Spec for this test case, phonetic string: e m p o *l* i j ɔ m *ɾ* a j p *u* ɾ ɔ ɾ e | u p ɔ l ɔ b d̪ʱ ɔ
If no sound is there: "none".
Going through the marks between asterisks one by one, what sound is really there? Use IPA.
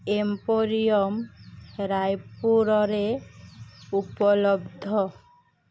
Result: ɾ, ɾ, u

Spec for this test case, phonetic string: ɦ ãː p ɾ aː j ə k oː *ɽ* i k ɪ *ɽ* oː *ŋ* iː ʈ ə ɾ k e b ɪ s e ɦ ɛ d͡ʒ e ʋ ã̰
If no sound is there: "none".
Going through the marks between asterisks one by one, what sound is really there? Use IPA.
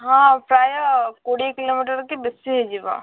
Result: ɽ, l, m

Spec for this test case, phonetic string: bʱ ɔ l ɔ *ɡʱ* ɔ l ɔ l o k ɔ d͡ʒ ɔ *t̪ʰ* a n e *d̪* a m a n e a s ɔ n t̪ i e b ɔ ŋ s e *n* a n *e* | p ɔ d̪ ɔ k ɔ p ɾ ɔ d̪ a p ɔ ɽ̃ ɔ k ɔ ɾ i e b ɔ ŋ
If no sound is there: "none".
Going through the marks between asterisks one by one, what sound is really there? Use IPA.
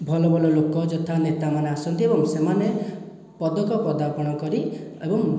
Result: bʱ, t̪ʰ, t̪, m, e

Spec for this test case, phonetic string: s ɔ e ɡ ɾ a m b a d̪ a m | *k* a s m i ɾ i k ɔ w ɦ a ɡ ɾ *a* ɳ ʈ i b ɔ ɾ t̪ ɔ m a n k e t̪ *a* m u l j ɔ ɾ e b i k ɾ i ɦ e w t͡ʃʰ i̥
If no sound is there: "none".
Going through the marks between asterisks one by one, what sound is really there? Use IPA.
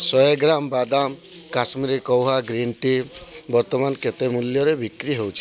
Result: k, i, e

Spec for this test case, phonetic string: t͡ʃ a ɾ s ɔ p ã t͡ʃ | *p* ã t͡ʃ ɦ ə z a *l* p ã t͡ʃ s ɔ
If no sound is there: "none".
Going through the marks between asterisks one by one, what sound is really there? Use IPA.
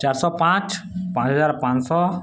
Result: p, ɾ

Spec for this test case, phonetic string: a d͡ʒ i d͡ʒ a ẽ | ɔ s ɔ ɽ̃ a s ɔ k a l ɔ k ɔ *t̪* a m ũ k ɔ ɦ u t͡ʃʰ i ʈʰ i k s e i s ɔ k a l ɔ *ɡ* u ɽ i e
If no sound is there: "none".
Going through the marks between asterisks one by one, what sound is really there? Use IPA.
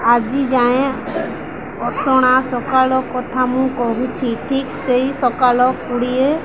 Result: t̪ʰ, k

